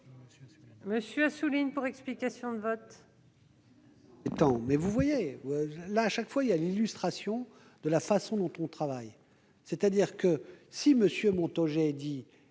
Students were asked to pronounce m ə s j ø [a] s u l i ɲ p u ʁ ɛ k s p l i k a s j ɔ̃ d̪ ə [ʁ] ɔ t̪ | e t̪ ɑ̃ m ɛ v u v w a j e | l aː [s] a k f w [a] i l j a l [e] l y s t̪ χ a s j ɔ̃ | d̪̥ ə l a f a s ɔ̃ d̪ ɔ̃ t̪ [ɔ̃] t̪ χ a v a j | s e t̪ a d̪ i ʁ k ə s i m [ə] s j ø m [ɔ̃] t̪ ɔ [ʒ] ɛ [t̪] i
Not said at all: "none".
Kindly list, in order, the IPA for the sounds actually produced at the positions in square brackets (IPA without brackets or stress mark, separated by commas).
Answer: a, v, ʃ, a, i, ɔ̃, ə, ɔ̃, ʒ, d̪